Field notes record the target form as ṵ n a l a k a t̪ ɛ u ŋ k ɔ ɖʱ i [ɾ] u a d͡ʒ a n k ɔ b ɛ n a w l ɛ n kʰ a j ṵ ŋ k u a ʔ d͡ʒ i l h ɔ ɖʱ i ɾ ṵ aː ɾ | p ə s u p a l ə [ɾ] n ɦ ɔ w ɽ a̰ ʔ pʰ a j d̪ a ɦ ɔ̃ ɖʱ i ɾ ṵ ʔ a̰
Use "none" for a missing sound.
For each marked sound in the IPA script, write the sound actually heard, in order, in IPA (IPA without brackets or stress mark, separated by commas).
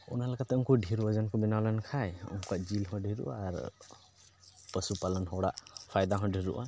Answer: ɾ, none